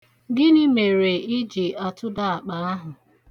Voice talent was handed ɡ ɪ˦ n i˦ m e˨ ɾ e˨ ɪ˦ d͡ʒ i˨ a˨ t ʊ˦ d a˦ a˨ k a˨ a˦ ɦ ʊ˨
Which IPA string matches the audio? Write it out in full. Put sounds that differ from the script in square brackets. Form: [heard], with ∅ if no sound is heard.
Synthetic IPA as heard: ɡ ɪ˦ n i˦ m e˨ ɾ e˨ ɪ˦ d͡ʒ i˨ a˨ t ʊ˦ d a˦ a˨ [k͡p] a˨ a˦ ɦ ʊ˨